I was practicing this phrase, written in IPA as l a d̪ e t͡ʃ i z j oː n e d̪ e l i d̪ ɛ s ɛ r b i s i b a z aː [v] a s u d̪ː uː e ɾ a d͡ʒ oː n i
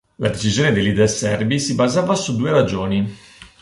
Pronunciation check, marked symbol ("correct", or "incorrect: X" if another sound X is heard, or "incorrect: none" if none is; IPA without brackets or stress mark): correct